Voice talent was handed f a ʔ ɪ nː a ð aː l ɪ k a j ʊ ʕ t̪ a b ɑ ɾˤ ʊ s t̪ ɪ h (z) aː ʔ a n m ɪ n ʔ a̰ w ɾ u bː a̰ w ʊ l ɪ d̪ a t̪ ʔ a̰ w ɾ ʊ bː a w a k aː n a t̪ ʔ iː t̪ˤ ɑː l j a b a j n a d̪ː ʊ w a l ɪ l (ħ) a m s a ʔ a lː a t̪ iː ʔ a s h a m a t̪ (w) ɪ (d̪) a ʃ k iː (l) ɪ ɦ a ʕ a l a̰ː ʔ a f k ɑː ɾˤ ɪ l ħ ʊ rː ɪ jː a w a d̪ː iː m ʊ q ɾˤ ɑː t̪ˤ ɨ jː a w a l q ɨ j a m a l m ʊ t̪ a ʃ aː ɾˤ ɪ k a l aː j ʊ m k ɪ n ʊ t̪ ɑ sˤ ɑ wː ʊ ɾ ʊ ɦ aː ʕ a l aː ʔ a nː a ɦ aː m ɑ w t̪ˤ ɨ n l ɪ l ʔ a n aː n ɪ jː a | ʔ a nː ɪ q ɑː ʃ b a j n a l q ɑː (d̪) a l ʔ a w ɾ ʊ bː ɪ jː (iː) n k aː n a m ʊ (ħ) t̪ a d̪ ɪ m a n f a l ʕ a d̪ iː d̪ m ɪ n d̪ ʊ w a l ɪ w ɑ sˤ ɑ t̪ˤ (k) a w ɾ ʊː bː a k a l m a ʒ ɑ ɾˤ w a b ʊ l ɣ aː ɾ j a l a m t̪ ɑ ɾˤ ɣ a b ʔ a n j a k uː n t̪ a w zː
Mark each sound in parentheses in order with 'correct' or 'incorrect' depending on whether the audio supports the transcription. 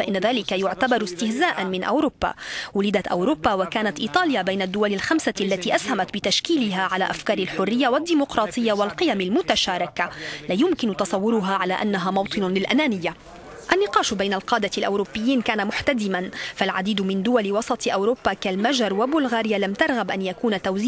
correct, incorrect: x, incorrect: b, incorrect: t̪, correct, correct, correct, correct, incorrect: ʔ

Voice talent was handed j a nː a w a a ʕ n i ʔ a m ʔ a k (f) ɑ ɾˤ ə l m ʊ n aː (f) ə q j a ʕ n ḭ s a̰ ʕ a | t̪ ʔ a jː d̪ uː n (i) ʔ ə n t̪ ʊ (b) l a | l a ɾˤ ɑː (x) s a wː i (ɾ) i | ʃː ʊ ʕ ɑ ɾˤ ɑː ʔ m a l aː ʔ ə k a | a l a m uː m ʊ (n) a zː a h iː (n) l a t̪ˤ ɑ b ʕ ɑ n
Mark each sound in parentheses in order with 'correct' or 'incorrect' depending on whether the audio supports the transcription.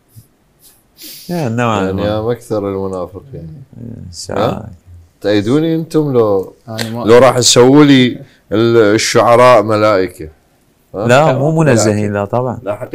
incorrect: θ, correct, correct, incorrect: m, incorrect: ħ, incorrect: l, correct, correct

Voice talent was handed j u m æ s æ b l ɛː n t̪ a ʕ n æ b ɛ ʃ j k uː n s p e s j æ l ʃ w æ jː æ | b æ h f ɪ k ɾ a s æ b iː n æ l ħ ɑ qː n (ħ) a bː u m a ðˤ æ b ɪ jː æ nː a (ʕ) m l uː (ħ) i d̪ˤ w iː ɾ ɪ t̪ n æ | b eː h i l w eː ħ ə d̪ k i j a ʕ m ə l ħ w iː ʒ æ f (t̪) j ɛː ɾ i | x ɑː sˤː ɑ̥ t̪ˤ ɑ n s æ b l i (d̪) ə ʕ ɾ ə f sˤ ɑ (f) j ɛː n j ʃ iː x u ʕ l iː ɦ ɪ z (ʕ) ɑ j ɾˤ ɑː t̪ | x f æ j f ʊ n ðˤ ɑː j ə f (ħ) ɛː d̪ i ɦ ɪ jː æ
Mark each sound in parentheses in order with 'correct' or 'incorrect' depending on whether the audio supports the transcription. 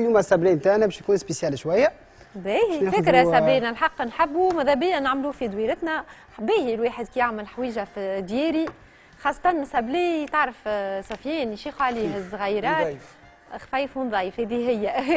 correct, correct, incorrect: f, incorrect: d̪, incorrect: t̪, correct, incorrect: ɣ, incorrect: h

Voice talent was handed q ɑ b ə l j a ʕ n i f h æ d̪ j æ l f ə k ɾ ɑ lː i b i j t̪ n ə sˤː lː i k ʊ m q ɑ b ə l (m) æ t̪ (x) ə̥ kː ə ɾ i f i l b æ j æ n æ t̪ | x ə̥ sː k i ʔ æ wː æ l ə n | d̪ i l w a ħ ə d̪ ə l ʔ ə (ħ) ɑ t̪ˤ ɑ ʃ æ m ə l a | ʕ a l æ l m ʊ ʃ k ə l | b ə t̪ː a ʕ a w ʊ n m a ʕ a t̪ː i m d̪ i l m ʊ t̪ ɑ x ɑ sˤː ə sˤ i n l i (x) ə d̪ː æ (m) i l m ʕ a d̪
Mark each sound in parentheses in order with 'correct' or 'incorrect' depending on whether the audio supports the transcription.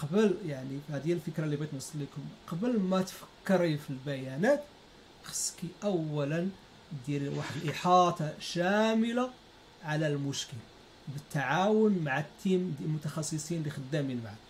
correct, incorrect: f, correct, correct, correct

